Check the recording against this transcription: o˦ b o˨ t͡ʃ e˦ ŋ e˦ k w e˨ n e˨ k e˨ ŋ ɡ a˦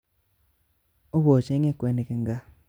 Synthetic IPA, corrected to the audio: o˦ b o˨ t͡ʃ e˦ ŋ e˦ k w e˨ n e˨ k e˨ ŋ ɡ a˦